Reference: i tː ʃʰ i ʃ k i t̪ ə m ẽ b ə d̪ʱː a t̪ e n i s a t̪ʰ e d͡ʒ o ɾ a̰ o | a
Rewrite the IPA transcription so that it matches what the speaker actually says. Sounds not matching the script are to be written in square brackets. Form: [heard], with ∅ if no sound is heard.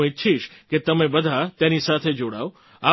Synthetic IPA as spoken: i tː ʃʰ i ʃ k [e] t̪ ə m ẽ b ə [d̪ʱ] a t̪ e n i s a t̪ʰ e d͡ʒ o [ɽ] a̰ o | a